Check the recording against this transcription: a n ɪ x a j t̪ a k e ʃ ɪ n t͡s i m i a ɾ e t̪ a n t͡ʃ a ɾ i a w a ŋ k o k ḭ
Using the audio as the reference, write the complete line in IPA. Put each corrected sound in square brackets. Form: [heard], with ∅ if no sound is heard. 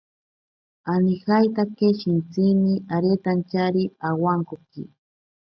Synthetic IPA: a n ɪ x a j t̪ a k e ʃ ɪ n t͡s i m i a ɾ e t̪ a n t͡ʃ a ɾ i a w a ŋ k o k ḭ